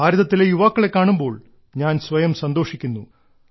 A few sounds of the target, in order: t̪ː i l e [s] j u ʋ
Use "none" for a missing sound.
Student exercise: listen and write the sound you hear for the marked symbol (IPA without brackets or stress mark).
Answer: none